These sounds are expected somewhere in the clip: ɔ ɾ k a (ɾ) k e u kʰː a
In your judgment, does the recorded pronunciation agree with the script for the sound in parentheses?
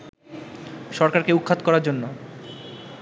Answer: yes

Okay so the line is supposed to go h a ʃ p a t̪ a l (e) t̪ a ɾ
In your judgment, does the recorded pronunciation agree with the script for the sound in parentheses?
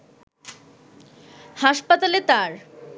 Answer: yes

